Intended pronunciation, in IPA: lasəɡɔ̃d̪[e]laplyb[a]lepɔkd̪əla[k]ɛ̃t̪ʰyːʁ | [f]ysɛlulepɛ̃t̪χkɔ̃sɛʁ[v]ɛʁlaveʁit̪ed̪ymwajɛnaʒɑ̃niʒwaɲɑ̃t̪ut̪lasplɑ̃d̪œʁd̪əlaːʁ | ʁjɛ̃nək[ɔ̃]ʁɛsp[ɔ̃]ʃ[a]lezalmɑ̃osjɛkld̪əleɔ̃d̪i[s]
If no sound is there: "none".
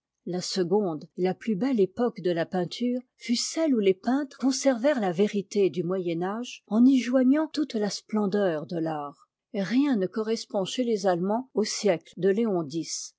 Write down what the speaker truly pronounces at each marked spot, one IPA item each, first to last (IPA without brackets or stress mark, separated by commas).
e, ɛ, p, f, v, ɔ, ɔ̃, e, s